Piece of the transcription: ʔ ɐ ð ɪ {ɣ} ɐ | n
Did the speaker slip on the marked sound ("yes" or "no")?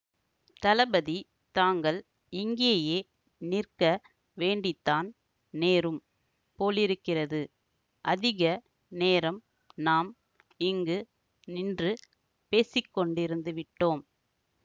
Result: no